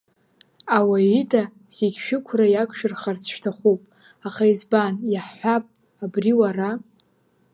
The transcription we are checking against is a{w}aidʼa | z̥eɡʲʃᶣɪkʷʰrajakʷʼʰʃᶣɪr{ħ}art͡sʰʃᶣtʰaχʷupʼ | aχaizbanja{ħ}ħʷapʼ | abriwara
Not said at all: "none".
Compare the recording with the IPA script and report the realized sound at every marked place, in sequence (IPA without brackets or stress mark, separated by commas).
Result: w, χ, ħ